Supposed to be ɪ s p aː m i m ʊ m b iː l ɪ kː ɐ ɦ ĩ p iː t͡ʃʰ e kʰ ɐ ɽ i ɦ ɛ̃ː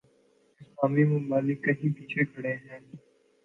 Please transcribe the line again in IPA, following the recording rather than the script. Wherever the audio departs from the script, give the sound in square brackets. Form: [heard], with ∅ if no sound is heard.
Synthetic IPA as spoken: ɪ s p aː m i m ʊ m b [aː] l ɪ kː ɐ ɦ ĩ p iː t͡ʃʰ e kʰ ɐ ɽ [e] ɦ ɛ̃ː